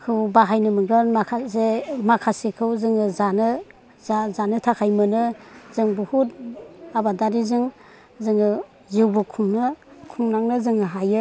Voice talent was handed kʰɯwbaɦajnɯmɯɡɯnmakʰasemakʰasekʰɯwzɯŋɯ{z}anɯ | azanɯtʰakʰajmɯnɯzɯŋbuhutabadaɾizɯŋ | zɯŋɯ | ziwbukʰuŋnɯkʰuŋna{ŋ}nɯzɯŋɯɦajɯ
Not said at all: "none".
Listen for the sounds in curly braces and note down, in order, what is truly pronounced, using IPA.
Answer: z, ŋ

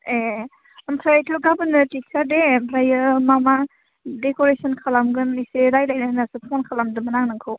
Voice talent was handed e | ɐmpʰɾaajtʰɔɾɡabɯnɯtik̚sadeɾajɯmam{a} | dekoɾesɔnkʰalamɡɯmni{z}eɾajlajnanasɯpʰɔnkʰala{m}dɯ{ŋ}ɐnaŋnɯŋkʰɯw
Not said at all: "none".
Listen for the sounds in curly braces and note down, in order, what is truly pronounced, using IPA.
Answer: a, s, m, m

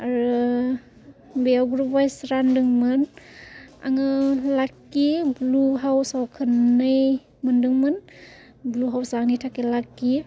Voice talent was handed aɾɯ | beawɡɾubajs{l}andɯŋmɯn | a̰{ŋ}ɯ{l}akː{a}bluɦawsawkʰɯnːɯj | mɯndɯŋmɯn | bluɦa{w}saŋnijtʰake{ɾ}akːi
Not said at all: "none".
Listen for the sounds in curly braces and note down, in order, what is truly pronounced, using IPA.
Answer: ɾ, ŋ, l, i, w, l

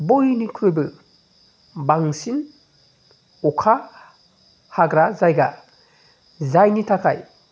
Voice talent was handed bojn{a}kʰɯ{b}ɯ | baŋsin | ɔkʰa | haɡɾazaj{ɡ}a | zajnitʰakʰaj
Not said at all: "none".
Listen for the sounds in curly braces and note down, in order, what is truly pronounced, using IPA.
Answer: i, b, ɡ

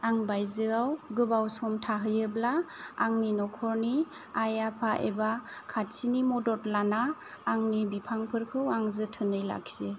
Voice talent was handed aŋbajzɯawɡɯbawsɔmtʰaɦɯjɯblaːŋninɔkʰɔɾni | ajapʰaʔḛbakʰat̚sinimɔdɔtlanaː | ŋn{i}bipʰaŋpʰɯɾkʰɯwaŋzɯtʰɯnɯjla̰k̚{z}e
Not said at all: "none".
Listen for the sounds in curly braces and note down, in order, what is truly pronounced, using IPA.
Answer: i, s

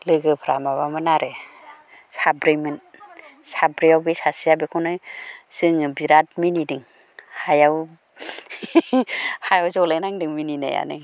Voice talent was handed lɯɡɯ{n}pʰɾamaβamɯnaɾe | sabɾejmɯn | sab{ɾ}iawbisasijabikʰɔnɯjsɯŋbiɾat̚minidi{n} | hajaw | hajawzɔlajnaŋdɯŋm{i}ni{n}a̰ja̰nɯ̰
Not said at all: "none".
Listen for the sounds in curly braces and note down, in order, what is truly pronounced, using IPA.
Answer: none, ɾ, ŋ, i, n

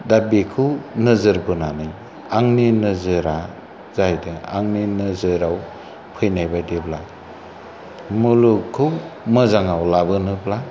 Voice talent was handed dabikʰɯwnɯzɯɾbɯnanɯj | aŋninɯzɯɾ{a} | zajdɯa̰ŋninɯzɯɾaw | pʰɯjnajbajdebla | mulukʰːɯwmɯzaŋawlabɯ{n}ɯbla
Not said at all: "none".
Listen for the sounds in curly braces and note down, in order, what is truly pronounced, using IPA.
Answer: a, n

